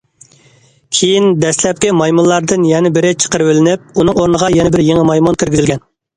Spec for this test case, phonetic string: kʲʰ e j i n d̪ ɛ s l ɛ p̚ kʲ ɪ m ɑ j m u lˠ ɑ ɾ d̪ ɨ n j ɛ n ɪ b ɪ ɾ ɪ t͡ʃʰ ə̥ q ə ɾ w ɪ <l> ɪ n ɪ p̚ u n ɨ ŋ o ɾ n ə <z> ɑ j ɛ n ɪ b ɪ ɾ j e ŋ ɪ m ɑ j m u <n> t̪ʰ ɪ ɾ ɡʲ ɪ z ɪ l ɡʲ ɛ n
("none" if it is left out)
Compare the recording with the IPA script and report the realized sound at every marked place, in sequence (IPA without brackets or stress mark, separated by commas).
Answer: l, ʁ, n